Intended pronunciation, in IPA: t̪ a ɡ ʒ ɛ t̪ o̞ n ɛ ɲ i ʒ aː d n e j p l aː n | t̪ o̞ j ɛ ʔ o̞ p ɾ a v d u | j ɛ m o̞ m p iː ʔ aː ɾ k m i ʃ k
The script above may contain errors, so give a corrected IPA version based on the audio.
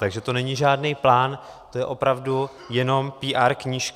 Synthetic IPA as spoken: t̪ a ɡ ʒ ɛ t̪ o̞ n ɛ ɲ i ʒ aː d n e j p l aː n | t̪ o̞ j ɛ ʔ o̞ p ɾ a v d u | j ɛ n o̞ m p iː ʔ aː ɾ k ɲ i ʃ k